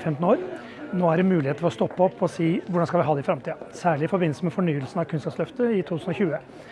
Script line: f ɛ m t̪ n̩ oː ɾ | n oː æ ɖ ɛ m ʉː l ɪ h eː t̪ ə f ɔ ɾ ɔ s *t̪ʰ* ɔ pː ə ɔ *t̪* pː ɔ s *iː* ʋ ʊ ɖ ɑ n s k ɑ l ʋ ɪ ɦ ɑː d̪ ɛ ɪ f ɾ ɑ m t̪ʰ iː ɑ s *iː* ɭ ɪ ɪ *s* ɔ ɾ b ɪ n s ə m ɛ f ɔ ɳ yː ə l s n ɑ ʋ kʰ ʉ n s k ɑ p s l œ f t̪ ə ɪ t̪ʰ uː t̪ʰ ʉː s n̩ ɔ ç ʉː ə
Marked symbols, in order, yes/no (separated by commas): no, no, yes, no, no